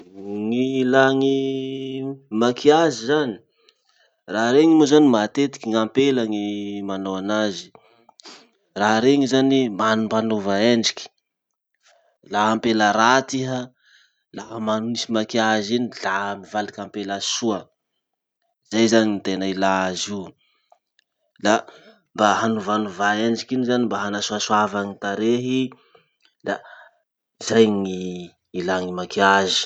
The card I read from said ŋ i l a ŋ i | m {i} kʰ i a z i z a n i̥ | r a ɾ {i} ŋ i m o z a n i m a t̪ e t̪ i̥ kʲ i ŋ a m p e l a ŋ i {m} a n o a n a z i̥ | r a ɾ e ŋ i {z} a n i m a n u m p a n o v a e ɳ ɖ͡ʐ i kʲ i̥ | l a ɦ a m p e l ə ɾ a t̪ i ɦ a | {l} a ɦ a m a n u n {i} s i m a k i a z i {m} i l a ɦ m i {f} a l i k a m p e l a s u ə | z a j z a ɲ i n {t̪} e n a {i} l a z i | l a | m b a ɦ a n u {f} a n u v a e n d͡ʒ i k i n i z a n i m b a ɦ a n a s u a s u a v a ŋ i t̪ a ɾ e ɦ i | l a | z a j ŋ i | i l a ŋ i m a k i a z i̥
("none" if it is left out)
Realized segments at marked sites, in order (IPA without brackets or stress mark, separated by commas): a, e, m, z, l, i, n, v, t̪, i, v